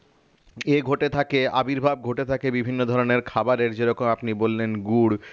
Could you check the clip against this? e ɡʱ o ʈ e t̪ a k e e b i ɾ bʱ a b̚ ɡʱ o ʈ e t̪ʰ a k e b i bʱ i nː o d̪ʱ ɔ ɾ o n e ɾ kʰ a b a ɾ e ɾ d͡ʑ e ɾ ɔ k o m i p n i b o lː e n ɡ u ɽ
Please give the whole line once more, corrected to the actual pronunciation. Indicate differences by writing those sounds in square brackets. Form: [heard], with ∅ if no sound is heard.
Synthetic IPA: e ɡʱ o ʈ e [t̪ʰ] a k e [a] b i ɾ bʱ a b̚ ɡʱ o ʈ e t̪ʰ a k e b i bʱ i nː o d̪ʱ ɔ ɾ o n e ɾ kʰ a b a ɾ e ɾ d͡ʑ e ɾ ɔ k o m [a] p n i b o lː e n ɡ u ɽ